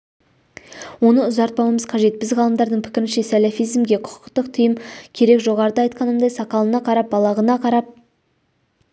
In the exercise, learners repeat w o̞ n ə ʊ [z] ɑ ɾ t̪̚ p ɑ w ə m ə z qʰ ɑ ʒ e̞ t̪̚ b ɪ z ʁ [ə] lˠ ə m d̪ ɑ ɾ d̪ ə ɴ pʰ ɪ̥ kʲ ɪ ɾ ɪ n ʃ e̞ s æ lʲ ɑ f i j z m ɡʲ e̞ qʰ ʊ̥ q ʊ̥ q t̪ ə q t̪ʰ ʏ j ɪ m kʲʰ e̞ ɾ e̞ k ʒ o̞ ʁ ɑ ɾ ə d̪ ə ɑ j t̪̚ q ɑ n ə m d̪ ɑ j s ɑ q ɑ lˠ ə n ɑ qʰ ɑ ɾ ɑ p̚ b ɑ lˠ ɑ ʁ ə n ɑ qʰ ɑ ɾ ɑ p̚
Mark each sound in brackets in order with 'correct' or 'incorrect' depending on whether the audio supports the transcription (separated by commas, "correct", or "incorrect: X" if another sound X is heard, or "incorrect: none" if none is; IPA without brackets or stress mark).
correct, incorrect: ɑ